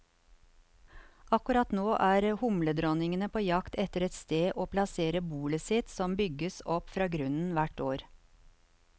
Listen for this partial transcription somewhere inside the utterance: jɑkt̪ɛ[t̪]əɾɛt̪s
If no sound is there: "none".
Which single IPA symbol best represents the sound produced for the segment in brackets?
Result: t̪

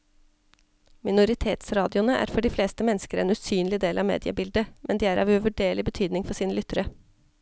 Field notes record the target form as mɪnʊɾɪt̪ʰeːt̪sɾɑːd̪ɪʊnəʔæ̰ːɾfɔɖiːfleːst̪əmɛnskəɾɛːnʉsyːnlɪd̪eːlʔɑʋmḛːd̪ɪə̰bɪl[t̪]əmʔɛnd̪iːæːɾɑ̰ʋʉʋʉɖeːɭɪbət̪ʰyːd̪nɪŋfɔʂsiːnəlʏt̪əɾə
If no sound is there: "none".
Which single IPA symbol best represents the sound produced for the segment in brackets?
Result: d̪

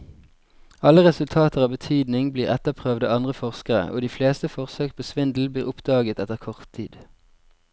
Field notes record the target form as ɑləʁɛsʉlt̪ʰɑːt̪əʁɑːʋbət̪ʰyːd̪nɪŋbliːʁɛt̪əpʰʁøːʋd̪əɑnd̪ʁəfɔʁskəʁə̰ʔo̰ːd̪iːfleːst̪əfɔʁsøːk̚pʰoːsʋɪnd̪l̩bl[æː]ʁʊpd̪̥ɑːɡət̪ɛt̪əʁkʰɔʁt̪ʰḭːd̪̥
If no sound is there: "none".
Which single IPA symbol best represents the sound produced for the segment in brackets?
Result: iː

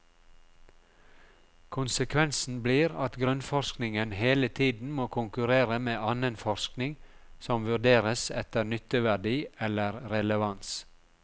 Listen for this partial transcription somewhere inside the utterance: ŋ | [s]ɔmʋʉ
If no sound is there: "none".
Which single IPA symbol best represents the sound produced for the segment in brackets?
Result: s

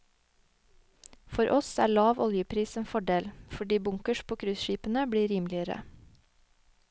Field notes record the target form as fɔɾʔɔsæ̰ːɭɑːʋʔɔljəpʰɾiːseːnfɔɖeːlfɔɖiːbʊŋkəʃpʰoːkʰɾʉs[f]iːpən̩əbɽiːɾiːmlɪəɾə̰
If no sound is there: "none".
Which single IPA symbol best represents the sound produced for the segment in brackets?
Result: ʃ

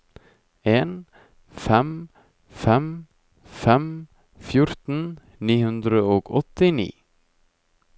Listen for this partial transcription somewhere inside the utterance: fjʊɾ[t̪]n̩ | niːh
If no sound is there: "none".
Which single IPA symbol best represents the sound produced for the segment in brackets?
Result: t̪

